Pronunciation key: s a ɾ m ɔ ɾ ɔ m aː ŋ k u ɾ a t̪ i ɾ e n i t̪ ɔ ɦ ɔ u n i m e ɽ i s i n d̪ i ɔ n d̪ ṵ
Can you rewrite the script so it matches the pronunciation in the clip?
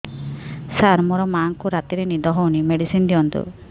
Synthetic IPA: s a ɾ m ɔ ɾ ɔ m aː ŋ k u ɾ a t̪ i ɾ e n i d̪ ɔ ɦ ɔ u n i m e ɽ i s i n d̪ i ɔ n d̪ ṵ